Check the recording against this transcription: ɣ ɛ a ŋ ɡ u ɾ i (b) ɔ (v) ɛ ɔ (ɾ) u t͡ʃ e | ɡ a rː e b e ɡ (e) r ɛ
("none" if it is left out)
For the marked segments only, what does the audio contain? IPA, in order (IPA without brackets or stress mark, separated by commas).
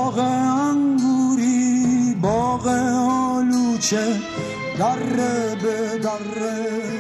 b, ɣ, l, a